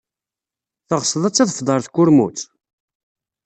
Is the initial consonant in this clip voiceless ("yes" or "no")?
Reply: yes